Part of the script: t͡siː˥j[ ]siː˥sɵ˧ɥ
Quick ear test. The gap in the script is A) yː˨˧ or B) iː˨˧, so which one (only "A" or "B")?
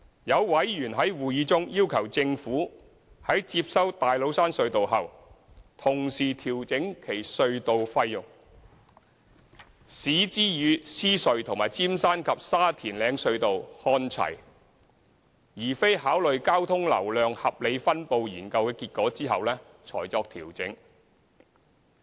A